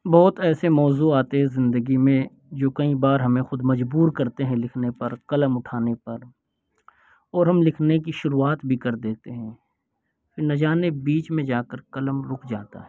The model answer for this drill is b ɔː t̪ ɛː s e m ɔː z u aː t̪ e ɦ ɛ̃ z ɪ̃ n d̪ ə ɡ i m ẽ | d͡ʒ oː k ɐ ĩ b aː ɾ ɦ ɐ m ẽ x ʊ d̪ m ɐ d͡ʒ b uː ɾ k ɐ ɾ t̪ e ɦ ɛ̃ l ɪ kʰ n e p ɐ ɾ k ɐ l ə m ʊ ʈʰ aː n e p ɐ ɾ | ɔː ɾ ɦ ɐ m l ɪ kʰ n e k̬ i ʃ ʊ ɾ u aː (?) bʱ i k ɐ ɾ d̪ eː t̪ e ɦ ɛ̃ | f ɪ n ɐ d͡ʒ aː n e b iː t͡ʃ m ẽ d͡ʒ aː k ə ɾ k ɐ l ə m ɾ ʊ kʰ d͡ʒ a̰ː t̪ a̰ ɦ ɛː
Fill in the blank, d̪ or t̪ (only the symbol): t̪